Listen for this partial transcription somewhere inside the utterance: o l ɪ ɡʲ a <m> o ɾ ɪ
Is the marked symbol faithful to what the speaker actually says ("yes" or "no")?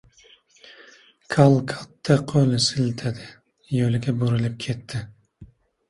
no